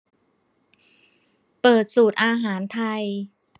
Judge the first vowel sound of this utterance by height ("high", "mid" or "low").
mid